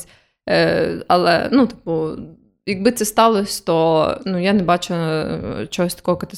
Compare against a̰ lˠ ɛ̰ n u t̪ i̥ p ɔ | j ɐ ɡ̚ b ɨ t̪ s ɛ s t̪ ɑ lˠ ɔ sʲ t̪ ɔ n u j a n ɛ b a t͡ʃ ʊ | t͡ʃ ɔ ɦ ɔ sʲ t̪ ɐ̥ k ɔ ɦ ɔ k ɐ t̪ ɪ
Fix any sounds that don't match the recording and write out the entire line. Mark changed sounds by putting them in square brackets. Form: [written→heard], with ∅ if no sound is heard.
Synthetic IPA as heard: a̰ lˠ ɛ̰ n u t̪ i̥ p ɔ | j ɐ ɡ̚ b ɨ t̪ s ɛ s t̪ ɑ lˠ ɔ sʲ t̪ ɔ n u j a n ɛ b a t͡ʃ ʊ | t͡ʃ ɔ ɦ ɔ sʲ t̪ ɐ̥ k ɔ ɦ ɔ k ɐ t̪ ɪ